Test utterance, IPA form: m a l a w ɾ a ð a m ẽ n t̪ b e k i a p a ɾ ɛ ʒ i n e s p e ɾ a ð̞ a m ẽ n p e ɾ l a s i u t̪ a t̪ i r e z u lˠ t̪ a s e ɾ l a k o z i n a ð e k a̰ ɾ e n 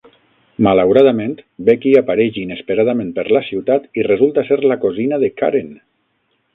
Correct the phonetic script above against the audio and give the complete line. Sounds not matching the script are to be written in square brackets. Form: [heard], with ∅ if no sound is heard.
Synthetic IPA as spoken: m a l a w ɾ a ð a m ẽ n t̪ b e k i a p a ɾ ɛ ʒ i n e s p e ɾ a ð̞ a m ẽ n p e ɾ l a s i [w] t̪ a t̪ i r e z u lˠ t̪ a s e ɾ l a k o z i n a ð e k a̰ ɾ e n